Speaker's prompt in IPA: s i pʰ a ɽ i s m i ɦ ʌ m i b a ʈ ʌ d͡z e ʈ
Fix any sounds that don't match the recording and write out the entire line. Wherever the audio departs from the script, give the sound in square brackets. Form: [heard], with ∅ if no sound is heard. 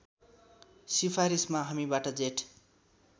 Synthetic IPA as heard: s i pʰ a [ɾ] i s m [a] ɦ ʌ m i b a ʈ ʌ d͡z e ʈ